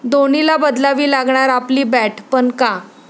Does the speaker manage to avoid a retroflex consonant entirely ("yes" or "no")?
no